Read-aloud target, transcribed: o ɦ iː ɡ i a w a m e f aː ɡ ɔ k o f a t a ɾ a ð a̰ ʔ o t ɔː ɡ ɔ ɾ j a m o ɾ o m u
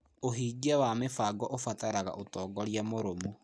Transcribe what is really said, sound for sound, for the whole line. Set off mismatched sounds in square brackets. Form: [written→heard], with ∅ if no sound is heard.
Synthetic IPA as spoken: o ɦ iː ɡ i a w a m e f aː ɡ ɔ [k→ʔ] o f a t a ɾ a [ð→ɣ] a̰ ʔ o t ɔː ɡ ɔ ɾ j a m o ɾ o m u